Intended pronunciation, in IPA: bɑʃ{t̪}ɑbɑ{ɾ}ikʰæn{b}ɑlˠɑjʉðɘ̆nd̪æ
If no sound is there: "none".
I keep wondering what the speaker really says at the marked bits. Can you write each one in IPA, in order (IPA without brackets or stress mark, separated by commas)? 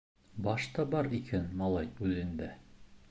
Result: t̪, ɾ, m